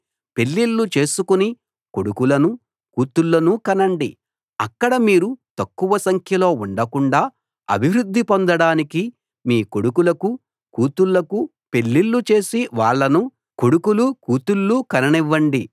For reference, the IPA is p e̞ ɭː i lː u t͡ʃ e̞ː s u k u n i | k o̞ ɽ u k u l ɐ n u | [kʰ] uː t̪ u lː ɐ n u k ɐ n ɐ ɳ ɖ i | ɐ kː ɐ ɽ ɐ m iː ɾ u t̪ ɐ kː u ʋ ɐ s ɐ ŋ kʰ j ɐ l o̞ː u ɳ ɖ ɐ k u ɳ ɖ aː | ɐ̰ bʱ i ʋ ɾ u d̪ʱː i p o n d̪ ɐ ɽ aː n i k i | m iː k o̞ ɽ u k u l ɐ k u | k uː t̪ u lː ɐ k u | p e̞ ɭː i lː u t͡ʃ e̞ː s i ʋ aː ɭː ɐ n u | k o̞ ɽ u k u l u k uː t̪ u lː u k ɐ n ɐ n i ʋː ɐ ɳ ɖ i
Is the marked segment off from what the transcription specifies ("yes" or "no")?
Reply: yes